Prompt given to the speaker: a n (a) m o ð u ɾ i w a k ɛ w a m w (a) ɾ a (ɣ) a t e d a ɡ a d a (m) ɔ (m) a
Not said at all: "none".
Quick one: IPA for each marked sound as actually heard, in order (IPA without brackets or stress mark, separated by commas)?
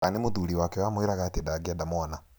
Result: e, e, ɣ, m, n